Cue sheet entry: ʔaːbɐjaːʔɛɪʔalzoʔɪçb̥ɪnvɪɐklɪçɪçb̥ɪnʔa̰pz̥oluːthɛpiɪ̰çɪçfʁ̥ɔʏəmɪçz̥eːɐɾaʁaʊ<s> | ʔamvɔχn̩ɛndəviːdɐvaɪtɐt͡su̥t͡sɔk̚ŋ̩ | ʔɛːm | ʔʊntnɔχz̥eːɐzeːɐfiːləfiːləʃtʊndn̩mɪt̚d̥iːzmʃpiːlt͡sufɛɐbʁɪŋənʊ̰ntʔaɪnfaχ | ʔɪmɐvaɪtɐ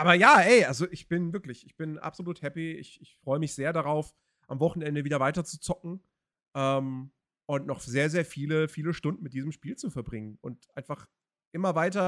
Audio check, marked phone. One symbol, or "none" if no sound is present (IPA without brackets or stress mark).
f